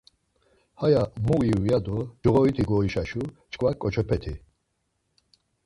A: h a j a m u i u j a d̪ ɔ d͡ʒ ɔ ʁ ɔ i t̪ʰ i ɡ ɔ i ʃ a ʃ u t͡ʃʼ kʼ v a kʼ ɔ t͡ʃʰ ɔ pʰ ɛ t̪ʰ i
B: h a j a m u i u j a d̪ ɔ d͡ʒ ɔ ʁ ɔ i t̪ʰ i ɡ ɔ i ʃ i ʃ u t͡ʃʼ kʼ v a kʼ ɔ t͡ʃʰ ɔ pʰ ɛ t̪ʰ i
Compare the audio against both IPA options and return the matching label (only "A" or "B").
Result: A